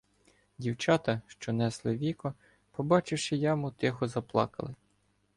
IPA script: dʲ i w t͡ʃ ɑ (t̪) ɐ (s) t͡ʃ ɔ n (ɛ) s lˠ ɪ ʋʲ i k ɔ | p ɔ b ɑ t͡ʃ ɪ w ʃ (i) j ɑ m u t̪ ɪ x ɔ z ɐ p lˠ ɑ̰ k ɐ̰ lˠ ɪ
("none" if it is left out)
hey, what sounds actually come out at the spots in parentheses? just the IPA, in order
t̪, ʃ, ɛ, ɪ

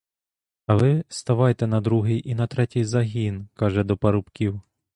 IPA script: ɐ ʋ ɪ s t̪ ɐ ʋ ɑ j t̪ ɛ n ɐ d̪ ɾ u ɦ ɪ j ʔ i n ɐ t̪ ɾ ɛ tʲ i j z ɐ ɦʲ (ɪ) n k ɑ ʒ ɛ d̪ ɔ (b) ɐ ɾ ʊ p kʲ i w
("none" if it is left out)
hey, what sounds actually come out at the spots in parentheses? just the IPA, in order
i, p

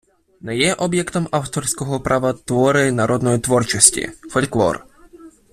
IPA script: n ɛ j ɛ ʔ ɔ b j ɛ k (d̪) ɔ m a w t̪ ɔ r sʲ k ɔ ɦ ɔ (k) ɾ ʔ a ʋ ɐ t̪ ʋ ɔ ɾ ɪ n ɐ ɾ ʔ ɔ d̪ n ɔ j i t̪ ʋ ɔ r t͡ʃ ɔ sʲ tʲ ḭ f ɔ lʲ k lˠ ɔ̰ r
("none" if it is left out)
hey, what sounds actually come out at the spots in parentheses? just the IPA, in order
t̪, p

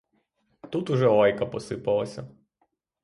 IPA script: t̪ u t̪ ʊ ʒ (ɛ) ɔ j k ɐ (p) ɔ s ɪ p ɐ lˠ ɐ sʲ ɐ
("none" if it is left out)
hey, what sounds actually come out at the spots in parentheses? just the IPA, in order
ɛ, p

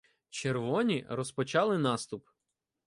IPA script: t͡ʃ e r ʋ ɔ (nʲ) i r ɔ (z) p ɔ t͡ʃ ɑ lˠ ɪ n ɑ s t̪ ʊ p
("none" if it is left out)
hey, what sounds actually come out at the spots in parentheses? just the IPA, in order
nʲ, s

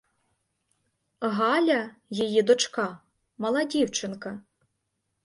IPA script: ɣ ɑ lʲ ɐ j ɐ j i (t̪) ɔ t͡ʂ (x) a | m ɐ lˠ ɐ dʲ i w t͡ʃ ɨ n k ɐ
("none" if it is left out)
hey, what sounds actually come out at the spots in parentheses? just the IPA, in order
d̪, k

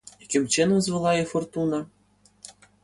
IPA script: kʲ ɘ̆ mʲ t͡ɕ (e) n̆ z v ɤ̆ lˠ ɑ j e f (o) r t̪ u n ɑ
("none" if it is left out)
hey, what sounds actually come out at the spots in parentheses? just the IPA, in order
e, o

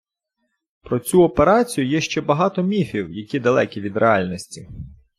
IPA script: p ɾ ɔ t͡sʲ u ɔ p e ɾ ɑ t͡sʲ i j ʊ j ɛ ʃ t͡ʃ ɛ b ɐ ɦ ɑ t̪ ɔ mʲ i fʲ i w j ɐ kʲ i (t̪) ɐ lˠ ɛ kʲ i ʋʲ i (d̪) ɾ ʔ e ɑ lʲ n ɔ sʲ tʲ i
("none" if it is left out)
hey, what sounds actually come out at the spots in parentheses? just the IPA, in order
d̪, d̪

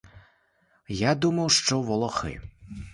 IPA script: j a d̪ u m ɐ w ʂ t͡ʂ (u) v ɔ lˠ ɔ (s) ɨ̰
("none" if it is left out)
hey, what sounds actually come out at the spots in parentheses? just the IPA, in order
ɔ, x

